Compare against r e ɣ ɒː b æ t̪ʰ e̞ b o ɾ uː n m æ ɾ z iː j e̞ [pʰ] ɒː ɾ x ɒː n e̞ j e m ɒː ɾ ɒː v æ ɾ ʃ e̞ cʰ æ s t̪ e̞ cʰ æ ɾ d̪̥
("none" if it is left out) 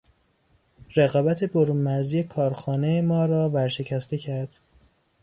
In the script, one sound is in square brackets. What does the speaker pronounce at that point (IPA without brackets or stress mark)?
kʰ